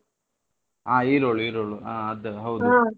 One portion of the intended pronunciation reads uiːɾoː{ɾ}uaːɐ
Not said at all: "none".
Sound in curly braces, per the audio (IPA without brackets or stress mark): ɭ